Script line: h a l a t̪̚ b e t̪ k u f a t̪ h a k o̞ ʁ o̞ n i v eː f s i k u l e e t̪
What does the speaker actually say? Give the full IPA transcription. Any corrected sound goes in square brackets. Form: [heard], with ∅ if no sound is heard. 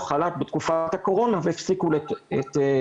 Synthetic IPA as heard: [χ] a l a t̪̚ b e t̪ k u f a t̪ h a k o̞ ʁ o̞ n [a] v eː f s i k u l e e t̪